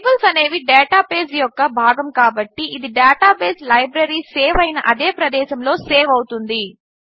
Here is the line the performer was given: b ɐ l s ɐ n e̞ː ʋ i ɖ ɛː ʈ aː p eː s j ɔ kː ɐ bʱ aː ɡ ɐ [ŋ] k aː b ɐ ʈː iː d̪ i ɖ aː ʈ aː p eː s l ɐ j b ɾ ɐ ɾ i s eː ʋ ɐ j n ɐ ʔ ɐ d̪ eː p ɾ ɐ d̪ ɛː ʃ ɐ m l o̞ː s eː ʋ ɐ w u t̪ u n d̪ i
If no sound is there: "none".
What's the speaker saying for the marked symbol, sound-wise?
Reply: m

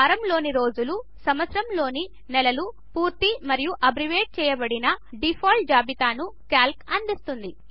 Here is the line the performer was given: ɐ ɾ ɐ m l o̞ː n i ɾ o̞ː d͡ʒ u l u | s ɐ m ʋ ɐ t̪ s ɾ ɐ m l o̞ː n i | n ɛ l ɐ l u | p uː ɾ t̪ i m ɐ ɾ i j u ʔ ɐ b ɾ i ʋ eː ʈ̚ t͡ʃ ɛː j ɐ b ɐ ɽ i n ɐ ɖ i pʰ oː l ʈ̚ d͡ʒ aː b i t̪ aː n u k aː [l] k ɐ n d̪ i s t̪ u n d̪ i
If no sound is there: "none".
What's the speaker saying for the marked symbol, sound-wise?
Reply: l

